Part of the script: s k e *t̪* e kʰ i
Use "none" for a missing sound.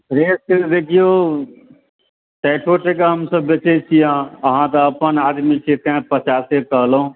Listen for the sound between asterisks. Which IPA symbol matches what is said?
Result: d̪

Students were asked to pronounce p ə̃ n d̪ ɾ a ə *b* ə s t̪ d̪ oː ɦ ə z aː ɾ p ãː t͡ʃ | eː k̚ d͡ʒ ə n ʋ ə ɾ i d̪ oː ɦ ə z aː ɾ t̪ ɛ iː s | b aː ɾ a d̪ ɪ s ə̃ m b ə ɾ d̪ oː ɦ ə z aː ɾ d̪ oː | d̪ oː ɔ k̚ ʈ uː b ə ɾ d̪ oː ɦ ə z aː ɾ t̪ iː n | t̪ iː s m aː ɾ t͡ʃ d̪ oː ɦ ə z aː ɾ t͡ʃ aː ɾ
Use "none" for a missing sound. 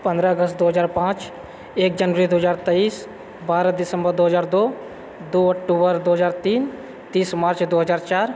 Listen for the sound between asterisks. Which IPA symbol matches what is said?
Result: ɡ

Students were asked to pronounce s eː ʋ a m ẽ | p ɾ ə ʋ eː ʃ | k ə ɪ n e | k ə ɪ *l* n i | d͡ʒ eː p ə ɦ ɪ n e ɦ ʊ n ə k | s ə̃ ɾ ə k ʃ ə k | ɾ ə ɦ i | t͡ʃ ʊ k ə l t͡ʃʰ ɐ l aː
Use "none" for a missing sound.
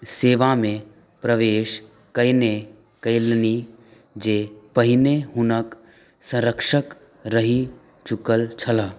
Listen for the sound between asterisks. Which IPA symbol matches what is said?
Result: l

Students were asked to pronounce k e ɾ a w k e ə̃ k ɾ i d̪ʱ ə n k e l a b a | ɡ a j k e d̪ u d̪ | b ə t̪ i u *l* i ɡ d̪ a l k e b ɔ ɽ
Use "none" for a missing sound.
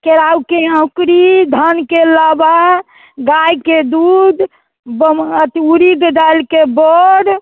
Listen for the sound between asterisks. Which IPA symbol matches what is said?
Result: ɾ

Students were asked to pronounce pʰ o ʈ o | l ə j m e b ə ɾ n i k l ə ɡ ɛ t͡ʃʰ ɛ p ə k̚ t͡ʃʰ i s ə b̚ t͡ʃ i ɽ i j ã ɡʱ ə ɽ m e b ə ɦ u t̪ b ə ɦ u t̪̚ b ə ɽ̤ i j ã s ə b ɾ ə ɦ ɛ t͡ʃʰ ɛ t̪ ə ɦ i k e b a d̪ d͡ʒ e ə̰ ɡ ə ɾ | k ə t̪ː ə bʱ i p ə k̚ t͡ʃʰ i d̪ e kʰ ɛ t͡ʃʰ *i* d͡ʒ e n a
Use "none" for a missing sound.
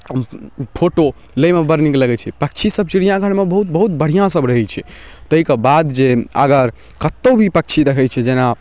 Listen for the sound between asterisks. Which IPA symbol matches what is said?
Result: ɛ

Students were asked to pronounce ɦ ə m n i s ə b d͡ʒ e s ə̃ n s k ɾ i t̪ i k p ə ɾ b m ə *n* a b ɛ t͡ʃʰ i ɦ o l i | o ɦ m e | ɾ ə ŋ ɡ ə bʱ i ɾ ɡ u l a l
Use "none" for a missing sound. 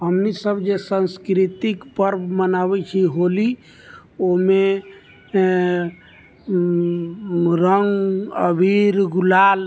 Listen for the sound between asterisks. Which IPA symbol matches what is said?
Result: n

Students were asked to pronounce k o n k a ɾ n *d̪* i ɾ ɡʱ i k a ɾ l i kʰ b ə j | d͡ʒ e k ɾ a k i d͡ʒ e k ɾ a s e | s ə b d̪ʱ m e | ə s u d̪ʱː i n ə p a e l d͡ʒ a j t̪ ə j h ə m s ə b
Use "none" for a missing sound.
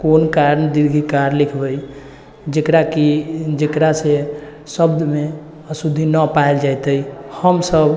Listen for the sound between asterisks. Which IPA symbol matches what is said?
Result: d̪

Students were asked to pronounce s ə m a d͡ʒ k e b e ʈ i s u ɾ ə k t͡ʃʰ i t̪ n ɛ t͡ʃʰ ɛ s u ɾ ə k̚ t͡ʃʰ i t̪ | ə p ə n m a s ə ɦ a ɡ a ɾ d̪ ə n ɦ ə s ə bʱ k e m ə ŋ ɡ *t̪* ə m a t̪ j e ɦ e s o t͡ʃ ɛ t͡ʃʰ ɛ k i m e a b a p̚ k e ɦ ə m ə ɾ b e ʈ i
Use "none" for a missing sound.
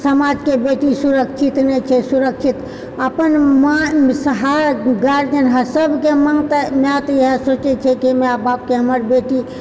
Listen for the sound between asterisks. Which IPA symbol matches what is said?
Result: t̪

